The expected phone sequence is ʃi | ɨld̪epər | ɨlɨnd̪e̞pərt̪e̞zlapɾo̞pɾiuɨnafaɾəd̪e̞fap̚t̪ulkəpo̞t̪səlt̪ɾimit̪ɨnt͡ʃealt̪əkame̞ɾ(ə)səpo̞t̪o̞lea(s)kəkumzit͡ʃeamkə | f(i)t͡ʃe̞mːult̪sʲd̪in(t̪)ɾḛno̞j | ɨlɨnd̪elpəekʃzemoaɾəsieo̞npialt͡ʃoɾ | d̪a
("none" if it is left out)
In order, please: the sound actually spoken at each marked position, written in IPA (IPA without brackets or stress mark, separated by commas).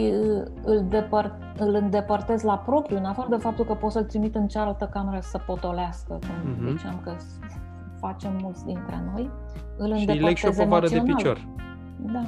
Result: ə, s, a, t̪